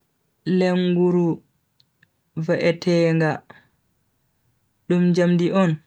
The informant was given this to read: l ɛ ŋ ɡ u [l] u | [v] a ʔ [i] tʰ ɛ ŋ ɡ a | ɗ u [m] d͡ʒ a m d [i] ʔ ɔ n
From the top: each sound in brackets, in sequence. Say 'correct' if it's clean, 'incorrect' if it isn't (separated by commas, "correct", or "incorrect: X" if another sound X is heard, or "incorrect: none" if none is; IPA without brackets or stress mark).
incorrect: ɾ, correct, incorrect: ɛ, correct, correct